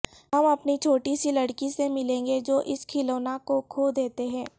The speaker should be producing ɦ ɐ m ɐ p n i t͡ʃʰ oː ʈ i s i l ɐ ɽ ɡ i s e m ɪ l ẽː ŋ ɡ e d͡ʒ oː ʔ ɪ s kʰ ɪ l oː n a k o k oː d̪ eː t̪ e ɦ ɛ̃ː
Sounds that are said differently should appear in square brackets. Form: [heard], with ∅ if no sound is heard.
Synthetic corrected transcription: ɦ ɐ m ɐ p n i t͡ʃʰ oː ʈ i s i l ɐ ɽ [k] i s e m ɪ l ẽː ŋ ɡ e d͡ʒ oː ʔ ɪ s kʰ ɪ l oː n a k o [kʰ] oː d̪ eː t̪ e ɦ ɛ̃ː